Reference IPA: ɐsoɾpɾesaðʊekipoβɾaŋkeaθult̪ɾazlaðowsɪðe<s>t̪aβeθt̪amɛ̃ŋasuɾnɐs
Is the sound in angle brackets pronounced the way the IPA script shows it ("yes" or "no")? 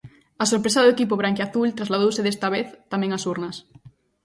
yes